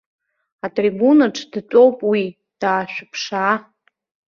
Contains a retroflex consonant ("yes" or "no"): yes